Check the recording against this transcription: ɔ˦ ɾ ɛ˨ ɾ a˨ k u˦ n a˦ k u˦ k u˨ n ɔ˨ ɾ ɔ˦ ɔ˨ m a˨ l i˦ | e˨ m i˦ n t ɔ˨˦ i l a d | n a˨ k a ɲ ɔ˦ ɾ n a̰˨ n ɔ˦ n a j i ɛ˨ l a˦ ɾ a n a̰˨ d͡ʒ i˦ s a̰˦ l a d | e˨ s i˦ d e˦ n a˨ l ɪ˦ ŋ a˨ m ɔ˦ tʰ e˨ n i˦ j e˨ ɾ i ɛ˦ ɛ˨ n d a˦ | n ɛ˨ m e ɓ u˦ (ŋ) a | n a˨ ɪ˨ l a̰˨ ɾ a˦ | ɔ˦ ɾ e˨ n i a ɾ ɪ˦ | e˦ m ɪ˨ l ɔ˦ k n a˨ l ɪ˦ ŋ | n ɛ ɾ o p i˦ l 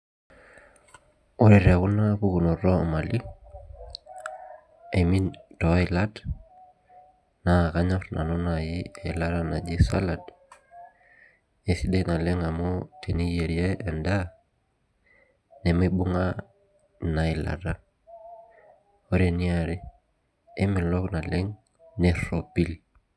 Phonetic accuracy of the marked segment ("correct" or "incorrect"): correct